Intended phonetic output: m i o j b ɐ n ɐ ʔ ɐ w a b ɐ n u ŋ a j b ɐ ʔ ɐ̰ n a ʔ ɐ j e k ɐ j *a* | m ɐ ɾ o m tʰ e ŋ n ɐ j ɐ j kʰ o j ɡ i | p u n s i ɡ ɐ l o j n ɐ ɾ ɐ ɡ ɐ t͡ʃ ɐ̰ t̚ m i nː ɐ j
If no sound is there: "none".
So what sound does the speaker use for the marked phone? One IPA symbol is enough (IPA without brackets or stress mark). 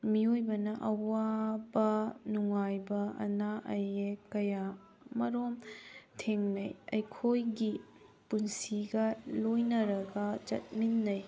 a